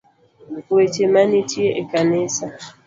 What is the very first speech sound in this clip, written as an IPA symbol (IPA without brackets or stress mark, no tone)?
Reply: w